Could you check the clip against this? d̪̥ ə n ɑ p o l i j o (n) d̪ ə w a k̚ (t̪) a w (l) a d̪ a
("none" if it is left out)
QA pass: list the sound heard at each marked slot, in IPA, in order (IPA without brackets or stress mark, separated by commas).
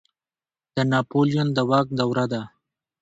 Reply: n, d̪, ɾ